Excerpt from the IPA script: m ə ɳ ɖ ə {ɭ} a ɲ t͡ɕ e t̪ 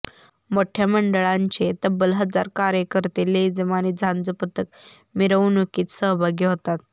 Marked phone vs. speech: correct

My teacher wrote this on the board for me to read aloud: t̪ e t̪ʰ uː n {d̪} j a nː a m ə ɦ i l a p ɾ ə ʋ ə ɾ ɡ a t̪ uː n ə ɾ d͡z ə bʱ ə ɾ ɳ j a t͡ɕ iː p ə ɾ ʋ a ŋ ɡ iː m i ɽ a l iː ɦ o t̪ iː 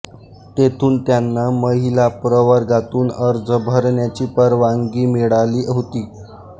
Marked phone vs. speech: incorrect: t̪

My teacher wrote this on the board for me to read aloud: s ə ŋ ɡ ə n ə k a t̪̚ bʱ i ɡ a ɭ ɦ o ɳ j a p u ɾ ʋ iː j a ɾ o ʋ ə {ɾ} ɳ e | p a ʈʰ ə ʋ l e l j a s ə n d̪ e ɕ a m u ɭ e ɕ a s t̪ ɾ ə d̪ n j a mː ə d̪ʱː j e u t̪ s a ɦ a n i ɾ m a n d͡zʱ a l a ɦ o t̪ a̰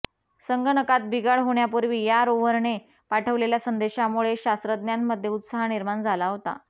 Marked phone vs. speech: correct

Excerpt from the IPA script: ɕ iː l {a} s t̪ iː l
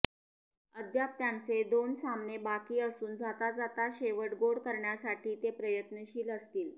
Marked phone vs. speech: incorrect: ə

